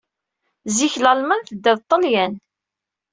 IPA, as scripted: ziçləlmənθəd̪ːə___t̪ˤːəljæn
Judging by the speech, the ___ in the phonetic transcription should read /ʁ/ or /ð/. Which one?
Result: ð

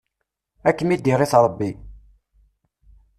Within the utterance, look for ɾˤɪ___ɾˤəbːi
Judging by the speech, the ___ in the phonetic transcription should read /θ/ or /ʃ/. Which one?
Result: θ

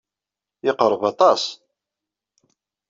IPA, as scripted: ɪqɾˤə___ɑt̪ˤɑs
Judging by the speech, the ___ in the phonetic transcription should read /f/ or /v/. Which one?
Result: v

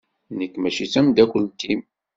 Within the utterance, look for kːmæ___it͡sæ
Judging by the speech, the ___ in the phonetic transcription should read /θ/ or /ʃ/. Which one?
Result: ʃ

